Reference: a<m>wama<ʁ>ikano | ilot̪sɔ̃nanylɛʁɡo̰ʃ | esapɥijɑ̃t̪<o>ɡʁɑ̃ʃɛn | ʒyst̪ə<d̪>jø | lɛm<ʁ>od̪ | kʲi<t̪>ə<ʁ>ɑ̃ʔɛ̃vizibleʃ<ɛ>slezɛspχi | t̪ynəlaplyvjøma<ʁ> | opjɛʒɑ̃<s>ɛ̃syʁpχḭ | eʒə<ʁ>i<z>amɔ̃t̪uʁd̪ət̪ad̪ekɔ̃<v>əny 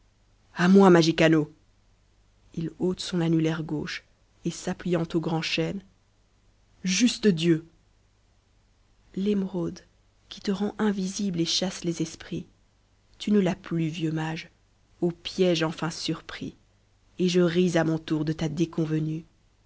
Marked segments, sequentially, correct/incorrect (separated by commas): correct, incorrect, correct, correct, correct, correct, correct, incorrect, incorrect, incorrect, correct, correct, correct